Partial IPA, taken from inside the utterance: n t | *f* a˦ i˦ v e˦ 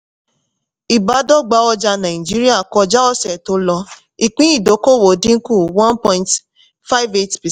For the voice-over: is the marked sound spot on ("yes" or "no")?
yes